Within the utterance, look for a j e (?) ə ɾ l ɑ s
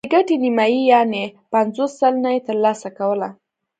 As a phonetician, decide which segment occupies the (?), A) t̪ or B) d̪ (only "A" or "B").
A